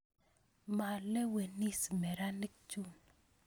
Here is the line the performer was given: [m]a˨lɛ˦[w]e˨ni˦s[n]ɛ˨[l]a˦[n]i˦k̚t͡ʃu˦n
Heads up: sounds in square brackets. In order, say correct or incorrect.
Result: correct, correct, incorrect: m, incorrect: ɾ, correct

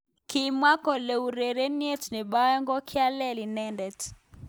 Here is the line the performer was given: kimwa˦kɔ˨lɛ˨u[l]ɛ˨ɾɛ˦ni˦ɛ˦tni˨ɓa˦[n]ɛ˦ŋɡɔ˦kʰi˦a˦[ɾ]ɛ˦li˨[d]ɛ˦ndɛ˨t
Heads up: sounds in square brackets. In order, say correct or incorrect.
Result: incorrect: ɾ, incorrect: none, incorrect: l, incorrect: n

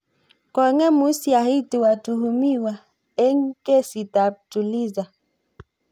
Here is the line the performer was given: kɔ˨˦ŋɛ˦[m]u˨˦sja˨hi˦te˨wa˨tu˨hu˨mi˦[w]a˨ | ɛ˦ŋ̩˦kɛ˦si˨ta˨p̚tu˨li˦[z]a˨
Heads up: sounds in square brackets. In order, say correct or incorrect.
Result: correct, correct, correct

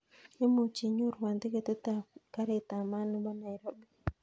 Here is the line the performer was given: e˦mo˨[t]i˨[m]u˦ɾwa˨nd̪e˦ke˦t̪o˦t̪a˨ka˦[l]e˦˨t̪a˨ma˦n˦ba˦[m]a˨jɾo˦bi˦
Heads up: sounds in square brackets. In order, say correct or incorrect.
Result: incorrect: t͡ʃ, incorrect: ɲ, incorrect: ɾ, incorrect: n

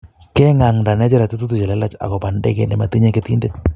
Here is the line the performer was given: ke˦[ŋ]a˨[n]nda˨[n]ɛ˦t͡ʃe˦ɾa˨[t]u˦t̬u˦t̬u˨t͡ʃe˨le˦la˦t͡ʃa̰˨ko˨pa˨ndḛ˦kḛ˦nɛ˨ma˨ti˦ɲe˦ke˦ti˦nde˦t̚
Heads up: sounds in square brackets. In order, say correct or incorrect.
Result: correct, incorrect: ŋ, correct, correct

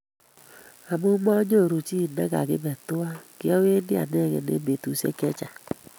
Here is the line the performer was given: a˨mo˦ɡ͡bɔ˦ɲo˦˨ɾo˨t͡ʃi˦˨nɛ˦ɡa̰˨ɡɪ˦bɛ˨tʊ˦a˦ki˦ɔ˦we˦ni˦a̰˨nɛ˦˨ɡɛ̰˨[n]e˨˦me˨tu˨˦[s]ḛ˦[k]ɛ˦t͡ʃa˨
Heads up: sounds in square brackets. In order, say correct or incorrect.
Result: correct, correct, correct

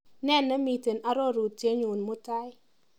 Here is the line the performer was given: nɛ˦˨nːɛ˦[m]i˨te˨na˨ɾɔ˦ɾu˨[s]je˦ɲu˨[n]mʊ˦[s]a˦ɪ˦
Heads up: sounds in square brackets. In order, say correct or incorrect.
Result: correct, incorrect: t, correct, incorrect: t

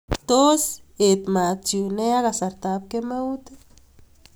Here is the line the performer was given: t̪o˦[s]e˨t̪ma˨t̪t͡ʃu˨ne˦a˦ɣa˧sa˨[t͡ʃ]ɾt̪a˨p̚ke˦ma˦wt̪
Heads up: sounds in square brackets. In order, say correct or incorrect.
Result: correct, incorrect: none

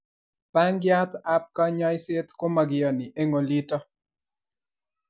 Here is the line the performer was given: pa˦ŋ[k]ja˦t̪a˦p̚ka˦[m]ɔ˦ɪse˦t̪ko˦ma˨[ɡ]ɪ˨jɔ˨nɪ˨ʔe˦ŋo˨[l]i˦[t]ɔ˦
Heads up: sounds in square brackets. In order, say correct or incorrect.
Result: incorrect: ɡ, incorrect: ɲ, correct, correct, correct

